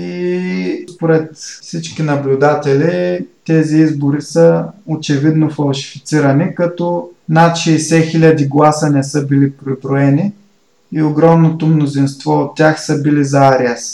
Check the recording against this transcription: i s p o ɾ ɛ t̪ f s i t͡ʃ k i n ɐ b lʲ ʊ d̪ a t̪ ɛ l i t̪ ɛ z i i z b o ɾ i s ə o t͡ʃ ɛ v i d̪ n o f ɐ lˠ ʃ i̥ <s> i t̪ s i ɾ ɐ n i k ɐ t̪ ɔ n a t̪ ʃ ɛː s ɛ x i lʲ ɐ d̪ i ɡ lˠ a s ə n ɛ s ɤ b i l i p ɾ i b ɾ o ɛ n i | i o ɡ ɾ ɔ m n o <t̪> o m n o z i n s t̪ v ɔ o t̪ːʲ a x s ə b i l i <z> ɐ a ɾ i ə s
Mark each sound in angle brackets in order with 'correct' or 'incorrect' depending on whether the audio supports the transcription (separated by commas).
incorrect, correct, correct